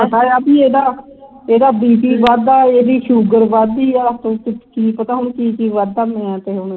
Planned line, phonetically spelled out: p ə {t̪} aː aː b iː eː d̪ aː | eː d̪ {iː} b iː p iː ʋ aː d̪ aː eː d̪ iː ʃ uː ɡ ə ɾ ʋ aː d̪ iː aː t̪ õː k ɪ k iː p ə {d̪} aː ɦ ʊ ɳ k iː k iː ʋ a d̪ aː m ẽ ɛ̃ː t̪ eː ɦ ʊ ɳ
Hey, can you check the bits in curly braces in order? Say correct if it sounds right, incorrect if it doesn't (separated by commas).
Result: correct, incorrect, incorrect